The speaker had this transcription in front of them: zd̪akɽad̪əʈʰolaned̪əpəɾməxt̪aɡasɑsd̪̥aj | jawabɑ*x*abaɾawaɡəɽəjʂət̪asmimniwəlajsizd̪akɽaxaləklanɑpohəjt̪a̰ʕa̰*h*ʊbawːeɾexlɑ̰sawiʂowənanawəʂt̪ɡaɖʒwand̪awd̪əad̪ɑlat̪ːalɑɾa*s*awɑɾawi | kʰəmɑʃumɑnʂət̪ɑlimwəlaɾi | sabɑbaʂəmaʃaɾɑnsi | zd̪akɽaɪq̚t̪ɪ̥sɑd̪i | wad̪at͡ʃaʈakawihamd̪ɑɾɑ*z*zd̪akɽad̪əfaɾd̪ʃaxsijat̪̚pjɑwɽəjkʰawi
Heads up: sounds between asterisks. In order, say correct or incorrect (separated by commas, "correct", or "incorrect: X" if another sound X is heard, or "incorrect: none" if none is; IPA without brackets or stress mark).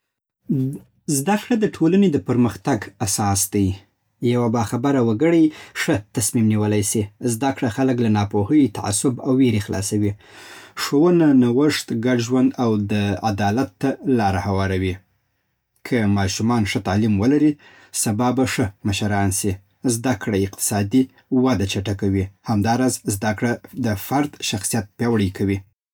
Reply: correct, incorrect: s, incorrect: h, correct